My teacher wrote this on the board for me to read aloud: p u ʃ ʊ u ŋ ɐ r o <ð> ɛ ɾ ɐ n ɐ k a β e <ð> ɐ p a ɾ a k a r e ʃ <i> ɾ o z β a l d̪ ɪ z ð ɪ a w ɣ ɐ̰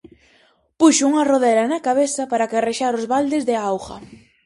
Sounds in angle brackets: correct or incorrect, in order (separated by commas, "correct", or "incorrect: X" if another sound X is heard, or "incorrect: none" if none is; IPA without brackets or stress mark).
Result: correct, incorrect: θ, incorrect: a